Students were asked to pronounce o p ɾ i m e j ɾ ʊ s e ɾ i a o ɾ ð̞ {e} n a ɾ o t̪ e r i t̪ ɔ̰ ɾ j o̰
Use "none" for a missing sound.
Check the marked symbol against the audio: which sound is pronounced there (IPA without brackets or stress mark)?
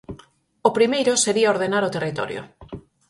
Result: e